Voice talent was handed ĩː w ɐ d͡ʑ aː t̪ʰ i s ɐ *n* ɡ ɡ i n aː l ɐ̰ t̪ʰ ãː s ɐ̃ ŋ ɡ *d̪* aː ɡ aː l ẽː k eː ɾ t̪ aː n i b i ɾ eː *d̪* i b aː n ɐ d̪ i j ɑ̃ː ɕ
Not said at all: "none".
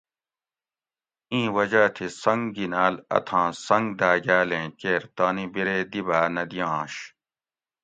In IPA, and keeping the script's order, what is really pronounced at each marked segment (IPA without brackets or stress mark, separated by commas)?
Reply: ŋ, d̪, d̪